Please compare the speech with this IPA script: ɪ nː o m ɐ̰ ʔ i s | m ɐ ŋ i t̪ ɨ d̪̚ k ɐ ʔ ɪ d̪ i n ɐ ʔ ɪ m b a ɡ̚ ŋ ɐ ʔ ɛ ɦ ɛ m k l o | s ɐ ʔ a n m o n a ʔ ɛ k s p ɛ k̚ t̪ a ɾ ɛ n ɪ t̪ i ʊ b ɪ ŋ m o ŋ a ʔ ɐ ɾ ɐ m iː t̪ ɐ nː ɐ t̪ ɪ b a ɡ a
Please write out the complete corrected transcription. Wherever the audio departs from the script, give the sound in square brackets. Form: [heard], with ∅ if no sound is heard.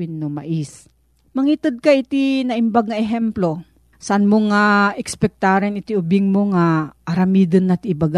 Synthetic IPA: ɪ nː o m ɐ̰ ʔ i s | m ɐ ŋ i t̪ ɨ d̪̚ k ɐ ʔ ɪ [t̪] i n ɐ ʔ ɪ m b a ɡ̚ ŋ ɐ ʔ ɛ ɦ ɛ m [p] l o | s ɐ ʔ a n m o [ŋ] a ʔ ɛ k s p ɛ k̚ t̪ a ɾ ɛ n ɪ t̪ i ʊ b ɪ ŋ m o ŋ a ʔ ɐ ɾ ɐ m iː [d̪] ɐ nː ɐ t̪ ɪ b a ɡ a